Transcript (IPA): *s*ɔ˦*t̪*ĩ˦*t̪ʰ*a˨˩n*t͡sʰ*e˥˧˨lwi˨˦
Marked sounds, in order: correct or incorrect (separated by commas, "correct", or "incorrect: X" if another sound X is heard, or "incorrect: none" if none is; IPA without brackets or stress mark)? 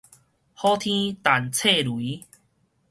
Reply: incorrect: h, incorrect: t̪ʰ, incorrect: t̪, correct